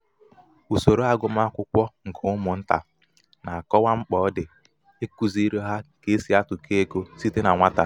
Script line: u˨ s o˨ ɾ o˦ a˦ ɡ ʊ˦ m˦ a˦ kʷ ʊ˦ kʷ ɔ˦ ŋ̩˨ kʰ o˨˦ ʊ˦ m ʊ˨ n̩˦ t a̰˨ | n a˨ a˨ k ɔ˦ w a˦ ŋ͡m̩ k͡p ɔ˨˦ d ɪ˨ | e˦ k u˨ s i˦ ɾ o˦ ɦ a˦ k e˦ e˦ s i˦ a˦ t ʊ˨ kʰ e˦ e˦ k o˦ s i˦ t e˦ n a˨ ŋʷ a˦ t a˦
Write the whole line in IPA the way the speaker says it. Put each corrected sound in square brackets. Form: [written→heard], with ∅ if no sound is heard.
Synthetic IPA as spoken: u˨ s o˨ ɾ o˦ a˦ ɡ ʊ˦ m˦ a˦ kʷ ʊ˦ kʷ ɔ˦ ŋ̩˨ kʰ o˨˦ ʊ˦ m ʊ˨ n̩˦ t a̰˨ | n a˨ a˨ k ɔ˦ w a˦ ŋ͡m̩ k͡p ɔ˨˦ d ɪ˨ | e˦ k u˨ [s→z] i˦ ɾ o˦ ɦ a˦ k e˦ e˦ s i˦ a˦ t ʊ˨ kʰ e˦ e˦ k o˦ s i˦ t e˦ n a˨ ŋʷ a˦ t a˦